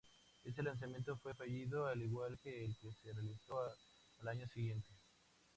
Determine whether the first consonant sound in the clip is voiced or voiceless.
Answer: voiceless